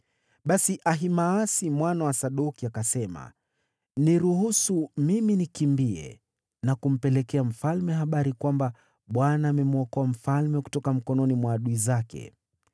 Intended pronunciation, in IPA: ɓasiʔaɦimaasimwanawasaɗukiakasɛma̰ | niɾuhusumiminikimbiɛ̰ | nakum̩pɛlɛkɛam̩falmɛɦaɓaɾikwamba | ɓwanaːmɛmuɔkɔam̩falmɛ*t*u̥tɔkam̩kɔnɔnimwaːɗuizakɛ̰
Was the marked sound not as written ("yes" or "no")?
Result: yes